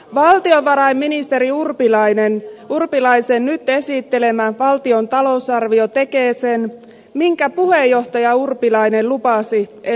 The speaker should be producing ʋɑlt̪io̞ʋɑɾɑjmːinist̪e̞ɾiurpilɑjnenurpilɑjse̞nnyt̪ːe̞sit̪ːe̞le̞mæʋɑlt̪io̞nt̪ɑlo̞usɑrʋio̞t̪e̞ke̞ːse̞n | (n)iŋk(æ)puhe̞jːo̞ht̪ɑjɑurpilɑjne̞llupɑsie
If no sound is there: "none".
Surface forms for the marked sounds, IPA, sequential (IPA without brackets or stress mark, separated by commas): m, æ